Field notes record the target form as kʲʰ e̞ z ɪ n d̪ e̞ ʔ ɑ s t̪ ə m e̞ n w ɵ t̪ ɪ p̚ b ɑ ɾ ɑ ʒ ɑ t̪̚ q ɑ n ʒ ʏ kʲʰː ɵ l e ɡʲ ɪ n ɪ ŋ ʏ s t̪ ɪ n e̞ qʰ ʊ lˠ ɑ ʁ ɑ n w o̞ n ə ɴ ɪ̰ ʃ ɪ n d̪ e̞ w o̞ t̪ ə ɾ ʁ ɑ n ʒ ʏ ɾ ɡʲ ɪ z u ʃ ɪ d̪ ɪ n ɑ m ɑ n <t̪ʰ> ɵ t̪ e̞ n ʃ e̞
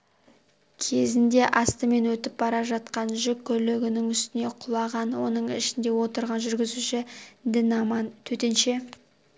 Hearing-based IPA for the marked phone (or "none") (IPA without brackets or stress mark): t̪ʰ